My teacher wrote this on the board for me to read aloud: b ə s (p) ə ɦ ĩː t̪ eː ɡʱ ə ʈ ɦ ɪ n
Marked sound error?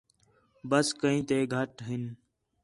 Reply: yes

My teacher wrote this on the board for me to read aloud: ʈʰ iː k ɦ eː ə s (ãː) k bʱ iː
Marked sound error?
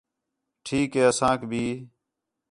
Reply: no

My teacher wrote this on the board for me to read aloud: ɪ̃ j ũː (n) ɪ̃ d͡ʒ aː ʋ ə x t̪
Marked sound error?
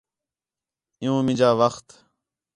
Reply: yes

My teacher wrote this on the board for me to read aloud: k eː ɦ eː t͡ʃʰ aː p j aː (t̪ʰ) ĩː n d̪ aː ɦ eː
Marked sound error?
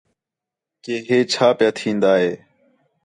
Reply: no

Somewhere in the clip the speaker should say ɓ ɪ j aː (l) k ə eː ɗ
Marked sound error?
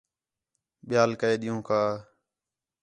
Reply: no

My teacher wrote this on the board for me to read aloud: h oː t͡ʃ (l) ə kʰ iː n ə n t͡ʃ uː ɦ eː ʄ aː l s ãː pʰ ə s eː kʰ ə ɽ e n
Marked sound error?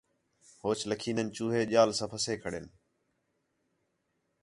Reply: no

